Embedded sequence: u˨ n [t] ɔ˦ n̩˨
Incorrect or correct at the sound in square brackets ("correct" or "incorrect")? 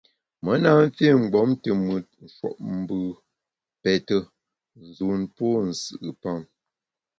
incorrect